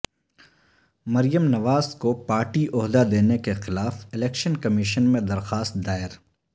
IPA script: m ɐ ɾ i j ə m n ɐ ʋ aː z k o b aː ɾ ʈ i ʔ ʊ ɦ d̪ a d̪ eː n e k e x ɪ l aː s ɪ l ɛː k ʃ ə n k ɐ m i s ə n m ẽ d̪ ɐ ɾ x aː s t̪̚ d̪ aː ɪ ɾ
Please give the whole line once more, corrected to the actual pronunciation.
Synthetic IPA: m ɐ ɾ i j ə m n ɐ ʋ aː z k o p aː ɾ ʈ i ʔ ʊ ɦ d̪ a d̪ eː n e k e x ɪ l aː f ɪ l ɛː k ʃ ə n k ɐ m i ʃ ə n m ẽ d̪ ɐ ɾ x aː s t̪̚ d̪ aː ɪ ɾ